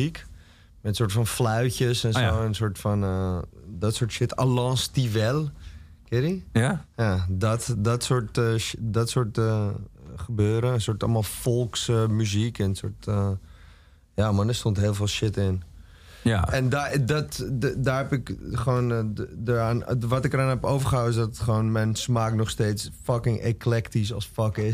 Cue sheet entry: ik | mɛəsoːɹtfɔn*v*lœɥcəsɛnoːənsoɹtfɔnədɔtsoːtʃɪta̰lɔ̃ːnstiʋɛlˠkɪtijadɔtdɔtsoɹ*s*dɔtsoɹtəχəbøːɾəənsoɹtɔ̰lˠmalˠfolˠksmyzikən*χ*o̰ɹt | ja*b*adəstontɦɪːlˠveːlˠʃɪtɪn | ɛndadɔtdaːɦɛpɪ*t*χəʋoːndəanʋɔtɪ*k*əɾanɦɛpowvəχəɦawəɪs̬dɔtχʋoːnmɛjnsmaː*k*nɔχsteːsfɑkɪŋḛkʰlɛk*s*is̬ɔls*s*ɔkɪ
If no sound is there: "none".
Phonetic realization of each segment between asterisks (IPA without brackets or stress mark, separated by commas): f, t, s, m, k, k, k, t, f